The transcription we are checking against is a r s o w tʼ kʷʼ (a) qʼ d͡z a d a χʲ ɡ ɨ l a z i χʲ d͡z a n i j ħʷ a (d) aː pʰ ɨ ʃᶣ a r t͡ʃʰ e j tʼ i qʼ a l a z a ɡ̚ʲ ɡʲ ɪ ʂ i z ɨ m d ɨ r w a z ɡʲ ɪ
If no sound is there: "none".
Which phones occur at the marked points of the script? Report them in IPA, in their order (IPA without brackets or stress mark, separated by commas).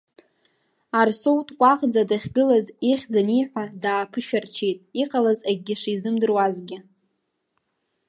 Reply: a, d